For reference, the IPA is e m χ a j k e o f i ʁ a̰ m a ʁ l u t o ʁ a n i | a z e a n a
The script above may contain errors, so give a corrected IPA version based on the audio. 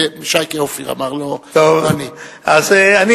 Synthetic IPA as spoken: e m ʃ a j k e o f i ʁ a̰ m a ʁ l o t o v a n i | a z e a n i